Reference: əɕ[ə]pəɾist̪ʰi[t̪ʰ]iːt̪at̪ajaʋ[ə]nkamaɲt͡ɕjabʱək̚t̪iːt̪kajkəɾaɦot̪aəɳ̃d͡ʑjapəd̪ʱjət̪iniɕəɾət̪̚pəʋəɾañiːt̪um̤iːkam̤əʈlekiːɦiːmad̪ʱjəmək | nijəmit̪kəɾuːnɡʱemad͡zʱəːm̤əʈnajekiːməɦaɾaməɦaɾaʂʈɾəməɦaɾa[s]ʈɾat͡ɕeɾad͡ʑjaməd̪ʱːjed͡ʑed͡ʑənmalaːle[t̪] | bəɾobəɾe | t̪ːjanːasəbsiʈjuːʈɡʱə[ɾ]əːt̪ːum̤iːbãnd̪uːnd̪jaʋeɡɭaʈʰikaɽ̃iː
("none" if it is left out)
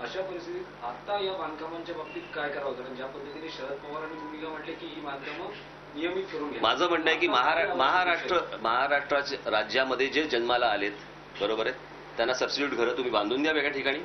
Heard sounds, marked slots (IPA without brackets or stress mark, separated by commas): a, t̪, a, ʂ, t̪, ɾ